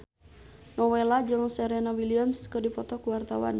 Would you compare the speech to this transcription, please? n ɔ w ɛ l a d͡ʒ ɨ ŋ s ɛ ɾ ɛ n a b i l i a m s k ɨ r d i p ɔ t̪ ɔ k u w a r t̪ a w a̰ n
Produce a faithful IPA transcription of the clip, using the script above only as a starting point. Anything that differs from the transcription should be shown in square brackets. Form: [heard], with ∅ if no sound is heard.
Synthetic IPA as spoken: n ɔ w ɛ l a d͡ʒ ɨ ŋ s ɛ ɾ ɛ n a [w] i l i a m s k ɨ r d i p ɔ t̪ ɔ k u w a r t̪ a w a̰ n